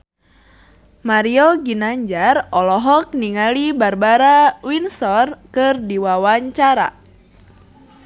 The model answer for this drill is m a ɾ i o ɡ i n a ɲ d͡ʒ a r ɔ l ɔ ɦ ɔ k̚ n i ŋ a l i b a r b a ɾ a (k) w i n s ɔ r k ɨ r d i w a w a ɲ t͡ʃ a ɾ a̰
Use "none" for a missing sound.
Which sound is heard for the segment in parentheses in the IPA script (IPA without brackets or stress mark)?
none